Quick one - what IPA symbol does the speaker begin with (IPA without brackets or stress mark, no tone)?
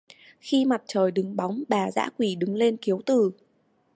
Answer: x